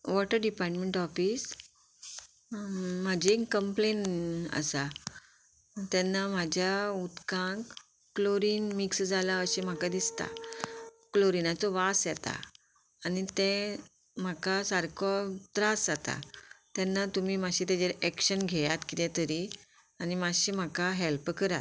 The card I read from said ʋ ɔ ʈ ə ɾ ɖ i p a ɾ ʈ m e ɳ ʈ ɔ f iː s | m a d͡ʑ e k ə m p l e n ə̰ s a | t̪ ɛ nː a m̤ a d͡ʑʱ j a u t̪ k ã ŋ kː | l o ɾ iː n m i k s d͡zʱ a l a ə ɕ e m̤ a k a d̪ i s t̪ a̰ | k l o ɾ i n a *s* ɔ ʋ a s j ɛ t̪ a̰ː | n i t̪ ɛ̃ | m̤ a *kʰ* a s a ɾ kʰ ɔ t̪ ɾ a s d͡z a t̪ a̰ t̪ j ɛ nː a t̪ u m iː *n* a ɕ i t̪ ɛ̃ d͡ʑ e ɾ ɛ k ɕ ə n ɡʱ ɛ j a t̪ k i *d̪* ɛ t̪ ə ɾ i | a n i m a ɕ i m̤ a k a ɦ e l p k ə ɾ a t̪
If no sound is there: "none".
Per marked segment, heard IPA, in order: t͡s, k, m, t̪

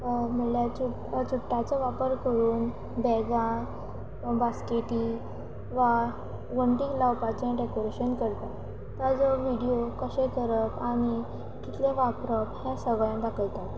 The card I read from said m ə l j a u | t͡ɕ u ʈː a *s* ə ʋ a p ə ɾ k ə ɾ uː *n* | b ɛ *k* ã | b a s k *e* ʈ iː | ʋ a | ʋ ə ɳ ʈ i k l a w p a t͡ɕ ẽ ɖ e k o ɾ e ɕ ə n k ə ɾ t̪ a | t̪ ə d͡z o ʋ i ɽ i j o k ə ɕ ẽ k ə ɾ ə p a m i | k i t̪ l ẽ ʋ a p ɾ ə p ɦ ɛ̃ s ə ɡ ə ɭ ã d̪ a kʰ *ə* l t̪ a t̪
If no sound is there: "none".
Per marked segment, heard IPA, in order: t͡s, n, ɡ, e, ə

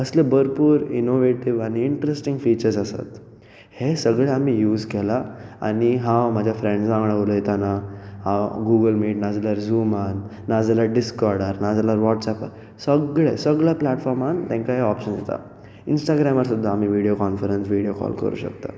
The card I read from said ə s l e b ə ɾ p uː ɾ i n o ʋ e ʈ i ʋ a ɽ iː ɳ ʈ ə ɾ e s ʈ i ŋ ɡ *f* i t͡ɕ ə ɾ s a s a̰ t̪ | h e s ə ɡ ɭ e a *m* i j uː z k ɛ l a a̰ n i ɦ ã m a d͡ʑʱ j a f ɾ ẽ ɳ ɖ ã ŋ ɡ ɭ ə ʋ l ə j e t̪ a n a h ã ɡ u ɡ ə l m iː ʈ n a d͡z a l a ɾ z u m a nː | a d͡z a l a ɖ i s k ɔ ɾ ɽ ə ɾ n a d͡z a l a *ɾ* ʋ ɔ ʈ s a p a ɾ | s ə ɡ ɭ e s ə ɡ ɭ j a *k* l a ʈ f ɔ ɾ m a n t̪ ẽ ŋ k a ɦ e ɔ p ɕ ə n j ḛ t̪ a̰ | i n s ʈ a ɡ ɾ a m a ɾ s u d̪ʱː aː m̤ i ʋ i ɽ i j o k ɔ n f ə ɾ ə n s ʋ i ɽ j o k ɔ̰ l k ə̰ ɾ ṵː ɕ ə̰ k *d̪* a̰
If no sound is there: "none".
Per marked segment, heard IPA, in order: f, m, ɾ, p, t̪

